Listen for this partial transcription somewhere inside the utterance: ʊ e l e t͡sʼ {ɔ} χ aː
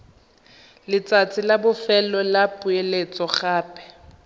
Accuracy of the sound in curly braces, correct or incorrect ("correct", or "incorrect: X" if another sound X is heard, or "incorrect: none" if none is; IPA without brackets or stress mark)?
correct